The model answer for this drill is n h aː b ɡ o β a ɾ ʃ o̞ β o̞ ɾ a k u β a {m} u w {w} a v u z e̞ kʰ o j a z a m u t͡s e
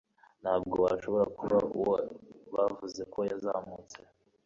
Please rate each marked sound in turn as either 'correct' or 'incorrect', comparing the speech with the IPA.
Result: incorrect, incorrect

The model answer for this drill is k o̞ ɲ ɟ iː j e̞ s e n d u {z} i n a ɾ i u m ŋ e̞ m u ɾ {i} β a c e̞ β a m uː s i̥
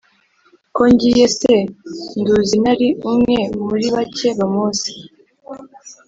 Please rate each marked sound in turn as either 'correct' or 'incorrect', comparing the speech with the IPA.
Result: correct, correct

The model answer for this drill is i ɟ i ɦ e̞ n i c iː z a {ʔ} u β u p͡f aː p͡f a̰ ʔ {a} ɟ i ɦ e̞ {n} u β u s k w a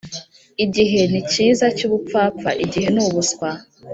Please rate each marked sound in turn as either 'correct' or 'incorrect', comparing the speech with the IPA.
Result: incorrect, incorrect, correct

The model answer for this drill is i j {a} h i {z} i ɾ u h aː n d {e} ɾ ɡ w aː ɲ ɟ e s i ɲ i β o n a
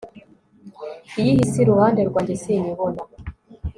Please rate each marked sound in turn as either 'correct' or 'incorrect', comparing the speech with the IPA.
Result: incorrect, incorrect, correct

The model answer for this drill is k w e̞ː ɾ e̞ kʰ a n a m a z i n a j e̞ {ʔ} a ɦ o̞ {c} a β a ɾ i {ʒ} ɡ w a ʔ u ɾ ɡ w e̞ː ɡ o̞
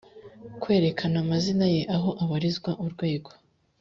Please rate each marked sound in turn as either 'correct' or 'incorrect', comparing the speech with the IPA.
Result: correct, incorrect, incorrect

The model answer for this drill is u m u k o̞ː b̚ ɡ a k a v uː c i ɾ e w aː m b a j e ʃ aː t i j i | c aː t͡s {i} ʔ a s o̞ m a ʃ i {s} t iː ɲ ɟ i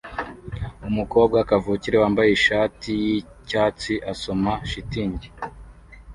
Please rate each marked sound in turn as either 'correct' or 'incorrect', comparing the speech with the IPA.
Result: correct, incorrect

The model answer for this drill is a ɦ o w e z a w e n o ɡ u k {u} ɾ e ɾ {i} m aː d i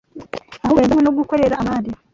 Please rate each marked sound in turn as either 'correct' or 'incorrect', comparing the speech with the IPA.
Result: incorrect, incorrect

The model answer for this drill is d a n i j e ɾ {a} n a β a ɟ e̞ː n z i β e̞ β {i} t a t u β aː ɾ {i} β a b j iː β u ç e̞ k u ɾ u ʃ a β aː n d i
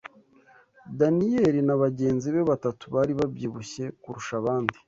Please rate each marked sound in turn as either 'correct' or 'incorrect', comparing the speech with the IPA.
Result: incorrect, incorrect, correct

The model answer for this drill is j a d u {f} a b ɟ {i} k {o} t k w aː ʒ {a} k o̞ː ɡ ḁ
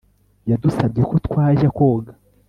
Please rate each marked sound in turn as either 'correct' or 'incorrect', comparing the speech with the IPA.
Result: incorrect, incorrect, correct, correct

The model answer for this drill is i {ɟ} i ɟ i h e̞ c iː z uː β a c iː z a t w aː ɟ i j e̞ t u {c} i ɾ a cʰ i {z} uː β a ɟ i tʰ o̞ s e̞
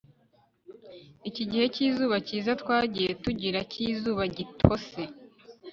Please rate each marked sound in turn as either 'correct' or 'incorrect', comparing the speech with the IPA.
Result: incorrect, incorrect, correct

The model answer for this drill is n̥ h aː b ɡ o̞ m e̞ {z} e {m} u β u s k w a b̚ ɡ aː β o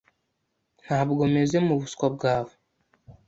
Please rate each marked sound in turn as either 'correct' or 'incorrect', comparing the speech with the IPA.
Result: correct, correct

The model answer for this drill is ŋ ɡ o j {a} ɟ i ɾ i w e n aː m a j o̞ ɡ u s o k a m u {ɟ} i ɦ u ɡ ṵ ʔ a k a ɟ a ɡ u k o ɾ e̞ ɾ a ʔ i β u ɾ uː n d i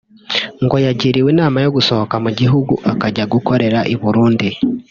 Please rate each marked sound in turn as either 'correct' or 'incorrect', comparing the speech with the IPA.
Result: correct, correct

